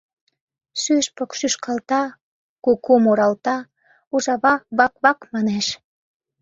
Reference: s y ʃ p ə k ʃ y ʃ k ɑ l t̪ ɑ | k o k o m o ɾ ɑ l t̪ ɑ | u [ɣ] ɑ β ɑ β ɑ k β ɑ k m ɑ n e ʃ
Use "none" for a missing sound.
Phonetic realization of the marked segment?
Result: ʒ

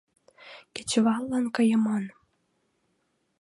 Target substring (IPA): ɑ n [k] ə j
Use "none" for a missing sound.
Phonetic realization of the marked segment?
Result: k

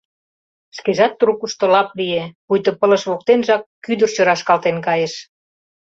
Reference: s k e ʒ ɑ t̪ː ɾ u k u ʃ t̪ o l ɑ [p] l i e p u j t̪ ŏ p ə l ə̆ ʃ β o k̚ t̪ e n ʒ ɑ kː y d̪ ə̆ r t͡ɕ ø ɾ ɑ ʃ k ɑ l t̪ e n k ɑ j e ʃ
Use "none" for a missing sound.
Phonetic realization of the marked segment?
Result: p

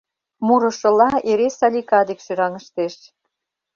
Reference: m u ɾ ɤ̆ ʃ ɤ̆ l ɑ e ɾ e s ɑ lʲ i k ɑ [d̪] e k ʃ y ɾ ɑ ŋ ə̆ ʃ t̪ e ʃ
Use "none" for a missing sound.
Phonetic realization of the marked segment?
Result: d̪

